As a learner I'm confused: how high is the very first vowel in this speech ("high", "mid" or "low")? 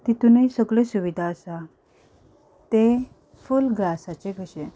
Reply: high